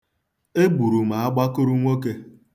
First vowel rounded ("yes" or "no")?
no